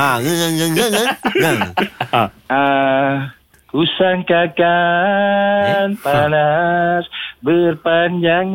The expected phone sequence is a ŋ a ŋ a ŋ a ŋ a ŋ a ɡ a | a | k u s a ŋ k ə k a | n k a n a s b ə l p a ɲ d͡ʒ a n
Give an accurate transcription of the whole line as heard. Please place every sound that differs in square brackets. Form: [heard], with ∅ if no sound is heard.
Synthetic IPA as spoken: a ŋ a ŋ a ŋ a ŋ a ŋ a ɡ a | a | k u s a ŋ k [a] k a | n [p] a n a s b ə [r] p a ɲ d͡ʒ a [ŋ]